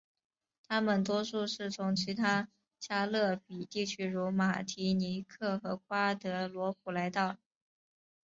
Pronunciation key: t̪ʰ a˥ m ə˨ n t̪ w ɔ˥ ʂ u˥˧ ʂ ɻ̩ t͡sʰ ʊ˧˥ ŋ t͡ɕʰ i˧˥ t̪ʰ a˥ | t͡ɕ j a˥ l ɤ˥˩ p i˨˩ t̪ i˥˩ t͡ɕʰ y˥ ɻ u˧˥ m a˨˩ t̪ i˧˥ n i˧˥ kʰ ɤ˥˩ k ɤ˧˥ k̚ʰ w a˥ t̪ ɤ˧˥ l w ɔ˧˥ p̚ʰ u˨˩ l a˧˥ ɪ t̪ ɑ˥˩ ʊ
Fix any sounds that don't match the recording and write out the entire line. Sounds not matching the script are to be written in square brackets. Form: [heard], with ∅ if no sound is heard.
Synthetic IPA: t̪ʰ a˥ m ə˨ n t̪ w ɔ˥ ʂ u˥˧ ʂ ɻ̩ t͡sʰ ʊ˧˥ ŋ t͡ɕʰ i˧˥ t̪ʰ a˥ | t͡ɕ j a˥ l ɤ˥˩ p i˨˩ t̪ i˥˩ t͡ɕʰ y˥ ɻ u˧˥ m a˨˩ [t̪ʰ] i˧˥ n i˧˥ kʰ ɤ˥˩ [x] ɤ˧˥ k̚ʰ w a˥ t̪ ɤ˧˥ l w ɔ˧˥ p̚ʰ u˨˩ l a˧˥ ɪ t̪ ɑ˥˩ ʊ